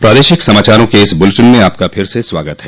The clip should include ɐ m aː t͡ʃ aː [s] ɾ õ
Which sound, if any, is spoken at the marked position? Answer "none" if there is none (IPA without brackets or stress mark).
none